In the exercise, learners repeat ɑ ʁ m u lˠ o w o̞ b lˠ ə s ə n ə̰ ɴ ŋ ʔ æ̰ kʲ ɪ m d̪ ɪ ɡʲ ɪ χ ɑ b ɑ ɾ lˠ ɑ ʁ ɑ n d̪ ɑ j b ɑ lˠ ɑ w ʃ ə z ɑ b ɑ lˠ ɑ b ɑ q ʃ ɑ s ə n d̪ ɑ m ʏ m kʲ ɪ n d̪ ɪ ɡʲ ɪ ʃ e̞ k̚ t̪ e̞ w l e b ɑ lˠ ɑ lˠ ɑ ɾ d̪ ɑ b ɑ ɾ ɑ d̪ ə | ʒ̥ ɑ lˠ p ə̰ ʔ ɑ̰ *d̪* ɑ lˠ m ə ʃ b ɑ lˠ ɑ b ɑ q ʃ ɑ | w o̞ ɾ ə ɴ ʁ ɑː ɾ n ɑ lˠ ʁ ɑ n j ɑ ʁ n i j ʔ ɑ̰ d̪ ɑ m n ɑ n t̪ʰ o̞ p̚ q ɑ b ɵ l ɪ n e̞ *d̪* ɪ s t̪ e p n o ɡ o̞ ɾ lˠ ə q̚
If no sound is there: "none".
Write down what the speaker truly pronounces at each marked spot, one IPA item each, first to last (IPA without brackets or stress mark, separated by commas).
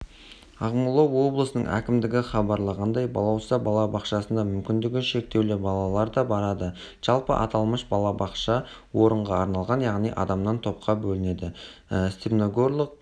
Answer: t̪, d̪